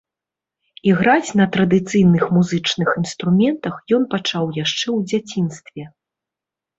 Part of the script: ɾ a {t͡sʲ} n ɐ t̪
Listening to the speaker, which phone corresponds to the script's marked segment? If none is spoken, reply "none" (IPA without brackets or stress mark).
t͡sʲ